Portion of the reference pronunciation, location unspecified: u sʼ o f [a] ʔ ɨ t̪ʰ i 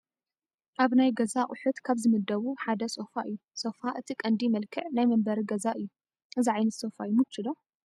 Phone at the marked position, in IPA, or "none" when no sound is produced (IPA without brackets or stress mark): a